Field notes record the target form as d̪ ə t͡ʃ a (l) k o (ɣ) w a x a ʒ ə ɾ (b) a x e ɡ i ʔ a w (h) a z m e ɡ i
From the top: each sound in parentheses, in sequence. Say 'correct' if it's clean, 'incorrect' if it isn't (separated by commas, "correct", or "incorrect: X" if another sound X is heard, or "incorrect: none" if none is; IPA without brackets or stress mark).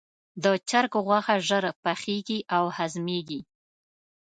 incorrect: ɾ, correct, incorrect: p, correct